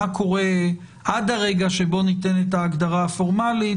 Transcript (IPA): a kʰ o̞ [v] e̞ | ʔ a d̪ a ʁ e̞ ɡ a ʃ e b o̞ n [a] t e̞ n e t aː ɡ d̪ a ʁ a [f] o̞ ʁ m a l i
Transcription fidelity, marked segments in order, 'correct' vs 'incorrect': incorrect: ʁ, incorrect: i, correct

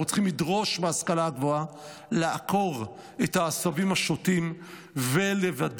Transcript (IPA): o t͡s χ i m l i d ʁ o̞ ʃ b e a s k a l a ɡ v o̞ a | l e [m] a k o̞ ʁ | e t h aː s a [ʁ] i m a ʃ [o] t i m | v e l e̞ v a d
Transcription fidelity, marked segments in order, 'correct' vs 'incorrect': incorrect: none, incorrect: v, correct

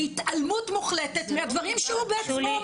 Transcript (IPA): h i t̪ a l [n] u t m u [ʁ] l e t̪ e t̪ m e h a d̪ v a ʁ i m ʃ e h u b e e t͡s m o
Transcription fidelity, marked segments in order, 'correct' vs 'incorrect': incorrect: m, incorrect: χ

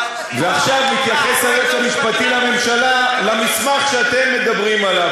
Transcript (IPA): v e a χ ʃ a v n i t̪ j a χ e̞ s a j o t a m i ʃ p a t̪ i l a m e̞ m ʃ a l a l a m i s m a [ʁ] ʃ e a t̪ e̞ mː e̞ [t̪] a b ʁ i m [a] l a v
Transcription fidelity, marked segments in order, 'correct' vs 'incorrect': incorrect: χ, incorrect: d̪, correct

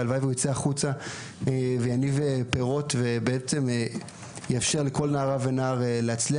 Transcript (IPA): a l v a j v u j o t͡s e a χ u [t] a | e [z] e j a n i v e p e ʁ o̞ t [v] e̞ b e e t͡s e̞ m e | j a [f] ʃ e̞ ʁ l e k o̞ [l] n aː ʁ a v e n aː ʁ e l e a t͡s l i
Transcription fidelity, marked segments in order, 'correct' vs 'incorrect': incorrect: t͡s, incorrect: v, correct, correct, correct

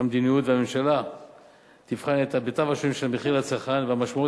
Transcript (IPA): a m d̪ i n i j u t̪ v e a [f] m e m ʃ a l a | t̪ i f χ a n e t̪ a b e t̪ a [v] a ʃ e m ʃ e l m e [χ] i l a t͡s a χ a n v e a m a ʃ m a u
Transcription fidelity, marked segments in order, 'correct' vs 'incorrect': incorrect: none, correct, correct

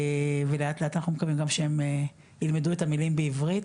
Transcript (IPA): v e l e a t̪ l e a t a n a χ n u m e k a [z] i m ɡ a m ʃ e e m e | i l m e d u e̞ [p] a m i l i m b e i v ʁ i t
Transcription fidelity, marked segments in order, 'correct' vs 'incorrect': incorrect: v, incorrect: t

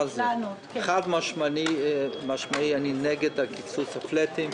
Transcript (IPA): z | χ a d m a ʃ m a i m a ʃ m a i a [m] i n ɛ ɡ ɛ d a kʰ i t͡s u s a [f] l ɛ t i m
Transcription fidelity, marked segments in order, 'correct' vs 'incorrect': incorrect: n, correct

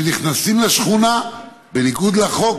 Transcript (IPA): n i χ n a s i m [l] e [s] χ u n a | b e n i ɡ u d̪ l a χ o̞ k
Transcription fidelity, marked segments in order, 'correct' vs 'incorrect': correct, incorrect: ʃ

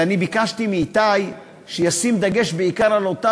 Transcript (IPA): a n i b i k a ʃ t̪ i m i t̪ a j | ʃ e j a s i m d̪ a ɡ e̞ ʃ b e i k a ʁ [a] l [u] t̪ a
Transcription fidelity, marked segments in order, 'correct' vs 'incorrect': correct, incorrect: o

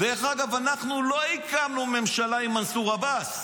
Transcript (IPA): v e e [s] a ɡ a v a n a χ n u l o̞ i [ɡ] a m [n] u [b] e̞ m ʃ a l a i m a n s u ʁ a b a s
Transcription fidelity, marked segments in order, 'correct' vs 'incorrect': incorrect: χ, incorrect: k, correct, incorrect: m

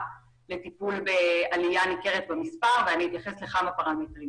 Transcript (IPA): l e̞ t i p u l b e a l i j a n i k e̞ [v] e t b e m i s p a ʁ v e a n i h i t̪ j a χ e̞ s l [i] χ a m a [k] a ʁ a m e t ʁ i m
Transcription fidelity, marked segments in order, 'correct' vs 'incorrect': incorrect: ʁ, incorrect: e, incorrect: p

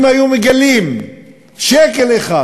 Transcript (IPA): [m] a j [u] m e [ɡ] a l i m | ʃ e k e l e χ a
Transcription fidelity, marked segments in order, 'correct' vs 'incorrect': correct, correct, correct

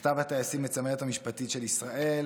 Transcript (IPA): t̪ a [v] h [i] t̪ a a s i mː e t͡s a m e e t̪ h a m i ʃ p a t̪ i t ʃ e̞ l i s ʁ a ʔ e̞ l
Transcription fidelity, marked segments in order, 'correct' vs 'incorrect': correct, incorrect: a

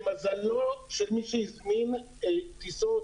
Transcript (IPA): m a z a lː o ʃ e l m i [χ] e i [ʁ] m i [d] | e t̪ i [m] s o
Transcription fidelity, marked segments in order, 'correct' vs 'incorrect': incorrect: ʃ, incorrect: z, incorrect: n, incorrect: none

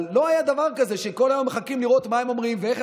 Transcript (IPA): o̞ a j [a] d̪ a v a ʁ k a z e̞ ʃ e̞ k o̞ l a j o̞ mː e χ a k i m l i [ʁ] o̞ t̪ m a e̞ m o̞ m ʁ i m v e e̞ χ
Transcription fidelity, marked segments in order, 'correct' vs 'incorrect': correct, correct

